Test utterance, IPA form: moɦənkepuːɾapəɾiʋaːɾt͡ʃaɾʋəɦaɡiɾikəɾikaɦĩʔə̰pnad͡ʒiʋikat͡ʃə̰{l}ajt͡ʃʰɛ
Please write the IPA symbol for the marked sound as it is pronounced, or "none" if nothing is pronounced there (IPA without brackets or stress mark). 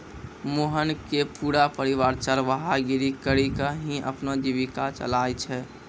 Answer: l